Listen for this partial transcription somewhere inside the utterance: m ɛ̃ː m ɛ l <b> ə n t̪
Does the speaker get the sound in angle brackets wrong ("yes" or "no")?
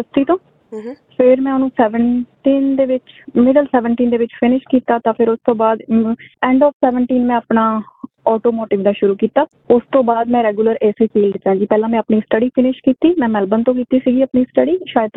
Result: no